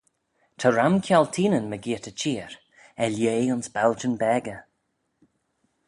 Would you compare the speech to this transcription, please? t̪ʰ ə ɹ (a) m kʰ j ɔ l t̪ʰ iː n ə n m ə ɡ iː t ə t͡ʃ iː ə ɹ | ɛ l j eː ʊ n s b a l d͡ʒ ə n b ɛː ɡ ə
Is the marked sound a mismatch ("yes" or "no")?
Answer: no